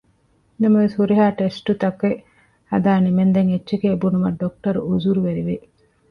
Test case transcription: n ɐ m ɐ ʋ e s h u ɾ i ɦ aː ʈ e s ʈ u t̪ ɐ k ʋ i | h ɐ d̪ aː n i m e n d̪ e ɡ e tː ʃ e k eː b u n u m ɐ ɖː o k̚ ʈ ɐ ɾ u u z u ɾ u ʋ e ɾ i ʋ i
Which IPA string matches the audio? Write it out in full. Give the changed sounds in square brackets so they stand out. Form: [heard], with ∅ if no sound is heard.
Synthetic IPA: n ɐ m ɐ ʋ e s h u ɾ i ɦ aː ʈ e s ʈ u t̪ ɐ k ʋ [e] | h ɐ d̪ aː n i m e n d̪ e [ŋ] e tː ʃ e k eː b u n u m ɐ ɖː o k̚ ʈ ɐ ɾ u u z u ɾ u ʋ e ɾ i ʋ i